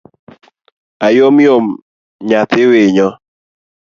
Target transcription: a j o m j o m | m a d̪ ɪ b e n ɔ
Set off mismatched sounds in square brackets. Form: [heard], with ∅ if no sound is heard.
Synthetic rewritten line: a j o m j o m | [ɲ] a [t̪] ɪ [w] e [ɲ] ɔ